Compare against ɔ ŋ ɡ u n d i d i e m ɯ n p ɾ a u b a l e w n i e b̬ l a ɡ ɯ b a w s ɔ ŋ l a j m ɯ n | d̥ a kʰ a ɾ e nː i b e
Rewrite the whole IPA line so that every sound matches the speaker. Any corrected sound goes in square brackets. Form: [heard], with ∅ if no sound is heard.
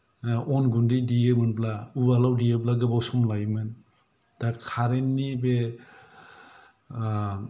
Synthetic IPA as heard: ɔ [n] ɡ u n d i d i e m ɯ n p [l] a u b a l [a] w [d] i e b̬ l a ɡ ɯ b a w s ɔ [m] l a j m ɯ n | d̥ a kʰ a ɾ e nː i b e